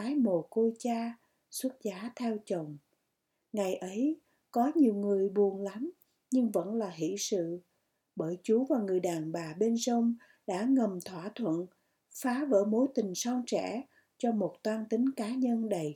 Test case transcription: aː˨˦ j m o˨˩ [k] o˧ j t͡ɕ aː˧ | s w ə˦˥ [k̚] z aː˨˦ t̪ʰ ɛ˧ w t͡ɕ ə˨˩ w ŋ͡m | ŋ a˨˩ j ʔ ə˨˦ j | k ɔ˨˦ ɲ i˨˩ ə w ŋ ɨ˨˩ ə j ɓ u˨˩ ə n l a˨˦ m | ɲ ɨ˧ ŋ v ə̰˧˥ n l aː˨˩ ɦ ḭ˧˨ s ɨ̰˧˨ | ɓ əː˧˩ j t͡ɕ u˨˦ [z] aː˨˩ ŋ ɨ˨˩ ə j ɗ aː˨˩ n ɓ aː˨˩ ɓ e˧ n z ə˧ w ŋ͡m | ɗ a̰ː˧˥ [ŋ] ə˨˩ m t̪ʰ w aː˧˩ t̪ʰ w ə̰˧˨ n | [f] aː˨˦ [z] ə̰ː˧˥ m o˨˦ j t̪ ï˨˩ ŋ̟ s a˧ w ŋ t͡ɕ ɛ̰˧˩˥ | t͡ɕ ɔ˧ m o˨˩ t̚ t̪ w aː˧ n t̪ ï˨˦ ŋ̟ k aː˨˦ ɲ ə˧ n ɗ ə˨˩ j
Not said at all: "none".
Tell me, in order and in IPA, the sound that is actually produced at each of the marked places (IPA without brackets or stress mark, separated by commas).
k, t̚, v, ŋ, f, v